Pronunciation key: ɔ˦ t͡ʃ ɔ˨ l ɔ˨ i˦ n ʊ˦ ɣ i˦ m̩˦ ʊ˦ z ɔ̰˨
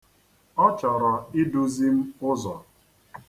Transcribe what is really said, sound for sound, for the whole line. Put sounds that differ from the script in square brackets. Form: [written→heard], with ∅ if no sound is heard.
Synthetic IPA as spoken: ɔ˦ t͡ʃ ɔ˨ [l→ɾ] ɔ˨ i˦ [n→d] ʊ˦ [ɣ→z] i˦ m̩˦ ʊ˦ z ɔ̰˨